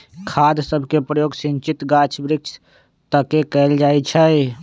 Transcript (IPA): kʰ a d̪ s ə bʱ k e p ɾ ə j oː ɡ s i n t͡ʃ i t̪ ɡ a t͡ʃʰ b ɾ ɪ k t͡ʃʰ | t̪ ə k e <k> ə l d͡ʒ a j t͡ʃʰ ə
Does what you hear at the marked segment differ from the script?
no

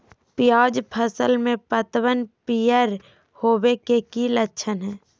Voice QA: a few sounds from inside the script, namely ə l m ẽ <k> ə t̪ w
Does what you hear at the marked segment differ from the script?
yes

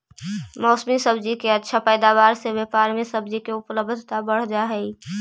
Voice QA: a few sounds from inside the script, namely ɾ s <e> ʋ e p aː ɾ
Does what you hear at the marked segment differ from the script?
no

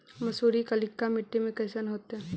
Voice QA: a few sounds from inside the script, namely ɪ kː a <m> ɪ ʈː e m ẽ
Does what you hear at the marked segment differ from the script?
no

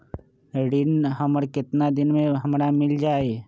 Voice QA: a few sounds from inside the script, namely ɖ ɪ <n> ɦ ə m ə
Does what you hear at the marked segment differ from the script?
no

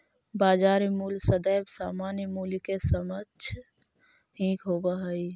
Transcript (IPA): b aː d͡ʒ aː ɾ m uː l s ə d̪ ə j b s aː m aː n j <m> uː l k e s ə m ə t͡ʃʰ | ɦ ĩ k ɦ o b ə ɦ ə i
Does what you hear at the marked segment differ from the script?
no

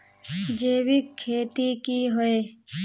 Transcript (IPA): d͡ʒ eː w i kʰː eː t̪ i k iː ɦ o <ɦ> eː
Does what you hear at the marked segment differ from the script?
yes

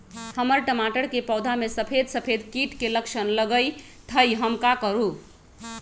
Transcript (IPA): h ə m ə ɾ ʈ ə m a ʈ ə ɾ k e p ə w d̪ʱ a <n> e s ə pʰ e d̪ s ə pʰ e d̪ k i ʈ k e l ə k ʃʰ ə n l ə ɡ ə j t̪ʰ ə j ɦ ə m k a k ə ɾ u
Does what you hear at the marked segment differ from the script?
yes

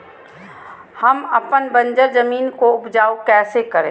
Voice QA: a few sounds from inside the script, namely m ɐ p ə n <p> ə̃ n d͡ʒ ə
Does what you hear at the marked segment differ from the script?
yes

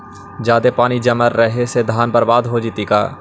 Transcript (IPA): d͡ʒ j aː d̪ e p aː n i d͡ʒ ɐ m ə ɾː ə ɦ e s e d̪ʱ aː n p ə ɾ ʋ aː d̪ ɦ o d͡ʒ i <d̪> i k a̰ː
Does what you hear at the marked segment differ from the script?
yes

